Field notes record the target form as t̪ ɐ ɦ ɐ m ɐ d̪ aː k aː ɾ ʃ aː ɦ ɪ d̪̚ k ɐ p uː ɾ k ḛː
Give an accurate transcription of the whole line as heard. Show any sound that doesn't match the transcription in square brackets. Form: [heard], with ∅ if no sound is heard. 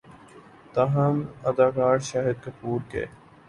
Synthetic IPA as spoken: t̪ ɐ ɦ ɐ m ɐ d̪ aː k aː ɾ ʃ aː ɦ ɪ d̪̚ k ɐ p uː ɾ k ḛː